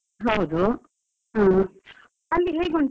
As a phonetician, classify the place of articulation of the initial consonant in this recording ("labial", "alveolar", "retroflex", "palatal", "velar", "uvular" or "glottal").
glottal